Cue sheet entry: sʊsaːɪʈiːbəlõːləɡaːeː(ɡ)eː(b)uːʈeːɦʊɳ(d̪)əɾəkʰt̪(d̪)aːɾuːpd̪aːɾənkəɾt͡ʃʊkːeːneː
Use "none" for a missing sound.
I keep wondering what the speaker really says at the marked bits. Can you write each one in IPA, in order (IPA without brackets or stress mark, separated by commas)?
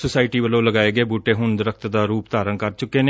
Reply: ɡ, b, d̪, d̪